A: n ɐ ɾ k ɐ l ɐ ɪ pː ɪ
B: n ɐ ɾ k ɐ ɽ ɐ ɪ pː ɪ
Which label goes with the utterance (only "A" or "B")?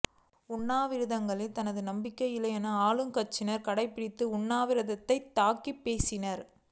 B